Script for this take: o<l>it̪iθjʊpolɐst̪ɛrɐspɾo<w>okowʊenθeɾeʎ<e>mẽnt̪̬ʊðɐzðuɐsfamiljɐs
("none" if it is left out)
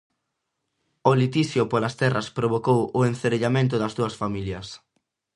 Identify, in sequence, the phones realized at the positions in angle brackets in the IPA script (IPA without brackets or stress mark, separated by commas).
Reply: l, β, a